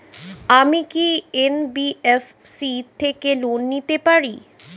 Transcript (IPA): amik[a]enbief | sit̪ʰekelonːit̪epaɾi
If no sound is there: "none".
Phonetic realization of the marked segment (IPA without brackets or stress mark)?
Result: i